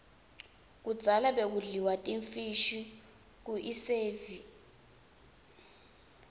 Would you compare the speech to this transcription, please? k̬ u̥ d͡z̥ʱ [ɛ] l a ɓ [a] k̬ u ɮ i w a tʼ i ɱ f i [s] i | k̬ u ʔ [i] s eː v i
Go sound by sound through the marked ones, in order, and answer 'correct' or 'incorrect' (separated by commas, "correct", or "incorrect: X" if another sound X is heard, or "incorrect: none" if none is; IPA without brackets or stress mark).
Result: incorrect: a, incorrect: e, incorrect: ʃ, correct